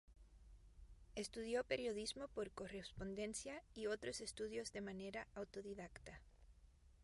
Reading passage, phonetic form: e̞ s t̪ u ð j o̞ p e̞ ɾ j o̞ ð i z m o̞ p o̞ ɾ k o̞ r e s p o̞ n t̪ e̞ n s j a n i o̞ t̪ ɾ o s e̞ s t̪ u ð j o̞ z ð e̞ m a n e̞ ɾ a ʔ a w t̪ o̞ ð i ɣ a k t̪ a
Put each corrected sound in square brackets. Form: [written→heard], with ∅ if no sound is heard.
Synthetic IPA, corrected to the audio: e̞ s t̪ u ð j o̞ p e̞ ɾ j o̞ ð i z m o̞ p o̞ ɾ k o̞ r e s p o̞ n [t̪→d̪] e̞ n s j a [n→∅] i o̞ t̪ ɾ o s e̞ s t̪ u ð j o̞ z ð e̞ m a n e̞ ɾ a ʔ a w t̪ o̞ ð i [ɣ→ð] a k t̪ a